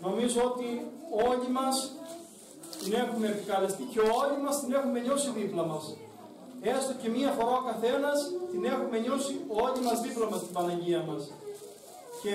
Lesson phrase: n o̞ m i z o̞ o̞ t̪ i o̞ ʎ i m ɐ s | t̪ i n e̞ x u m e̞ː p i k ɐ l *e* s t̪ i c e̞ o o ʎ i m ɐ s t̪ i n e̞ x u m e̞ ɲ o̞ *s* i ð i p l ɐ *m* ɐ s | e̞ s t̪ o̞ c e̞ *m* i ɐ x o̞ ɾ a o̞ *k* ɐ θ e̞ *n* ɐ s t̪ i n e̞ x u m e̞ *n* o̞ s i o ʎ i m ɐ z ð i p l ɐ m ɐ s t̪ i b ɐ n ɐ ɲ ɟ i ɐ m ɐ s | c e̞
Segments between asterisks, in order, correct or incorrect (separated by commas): correct, correct, correct, correct, correct, correct, incorrect